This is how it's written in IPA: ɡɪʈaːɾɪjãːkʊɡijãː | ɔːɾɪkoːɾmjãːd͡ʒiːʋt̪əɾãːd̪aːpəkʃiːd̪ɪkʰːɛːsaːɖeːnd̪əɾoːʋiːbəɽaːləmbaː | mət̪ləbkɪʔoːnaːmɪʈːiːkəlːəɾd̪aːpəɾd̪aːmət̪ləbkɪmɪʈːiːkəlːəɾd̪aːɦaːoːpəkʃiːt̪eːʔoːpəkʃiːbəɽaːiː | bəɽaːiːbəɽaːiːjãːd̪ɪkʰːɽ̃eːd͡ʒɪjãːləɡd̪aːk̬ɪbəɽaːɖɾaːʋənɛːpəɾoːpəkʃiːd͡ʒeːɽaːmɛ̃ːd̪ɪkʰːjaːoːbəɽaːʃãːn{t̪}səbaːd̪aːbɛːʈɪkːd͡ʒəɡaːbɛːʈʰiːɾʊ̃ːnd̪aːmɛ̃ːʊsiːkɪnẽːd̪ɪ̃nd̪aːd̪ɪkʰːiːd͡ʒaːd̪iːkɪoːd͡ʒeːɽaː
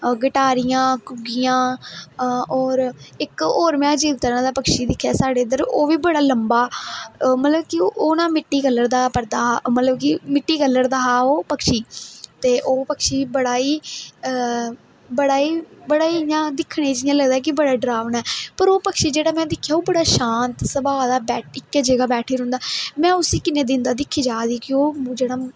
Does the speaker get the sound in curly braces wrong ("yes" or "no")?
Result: no